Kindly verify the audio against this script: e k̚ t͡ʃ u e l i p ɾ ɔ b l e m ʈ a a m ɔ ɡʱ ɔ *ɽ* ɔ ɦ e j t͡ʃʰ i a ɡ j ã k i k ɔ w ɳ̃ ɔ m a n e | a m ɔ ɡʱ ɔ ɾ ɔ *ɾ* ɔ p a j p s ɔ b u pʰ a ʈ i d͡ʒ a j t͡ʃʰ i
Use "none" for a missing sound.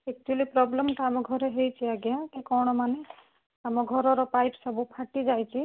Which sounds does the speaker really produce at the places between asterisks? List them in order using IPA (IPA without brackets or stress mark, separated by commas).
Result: ɾ, ɾ